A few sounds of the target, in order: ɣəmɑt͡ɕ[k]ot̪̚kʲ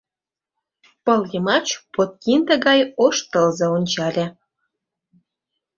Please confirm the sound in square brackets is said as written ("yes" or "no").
no